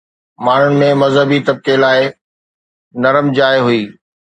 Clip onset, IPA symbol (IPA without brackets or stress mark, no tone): m